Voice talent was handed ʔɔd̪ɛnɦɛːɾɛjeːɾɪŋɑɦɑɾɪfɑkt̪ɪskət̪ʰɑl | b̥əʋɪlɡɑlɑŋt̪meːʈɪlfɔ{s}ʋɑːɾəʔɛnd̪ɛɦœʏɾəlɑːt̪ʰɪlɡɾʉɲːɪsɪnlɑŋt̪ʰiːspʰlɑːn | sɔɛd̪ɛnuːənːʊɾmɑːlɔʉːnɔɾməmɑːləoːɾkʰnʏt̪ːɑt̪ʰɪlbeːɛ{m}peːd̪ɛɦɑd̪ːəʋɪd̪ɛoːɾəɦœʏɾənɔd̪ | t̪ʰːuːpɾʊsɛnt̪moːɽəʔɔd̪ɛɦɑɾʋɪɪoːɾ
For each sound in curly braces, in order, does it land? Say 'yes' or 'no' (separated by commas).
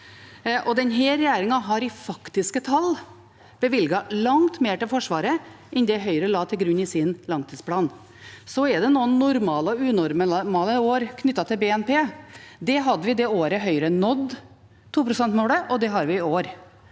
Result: no, no